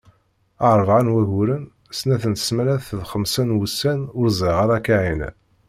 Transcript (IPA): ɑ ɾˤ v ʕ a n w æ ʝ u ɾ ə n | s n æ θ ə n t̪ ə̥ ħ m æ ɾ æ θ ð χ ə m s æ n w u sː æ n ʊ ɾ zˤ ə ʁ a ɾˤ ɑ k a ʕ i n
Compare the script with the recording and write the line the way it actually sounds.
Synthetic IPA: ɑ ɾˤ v ʕ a n w æ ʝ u ɾ ə n | s n æ θ ə n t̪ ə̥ s m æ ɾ æ θ ð χ ə m s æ n w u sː æ n ʊ ɾ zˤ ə ʁ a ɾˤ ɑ k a ʕ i n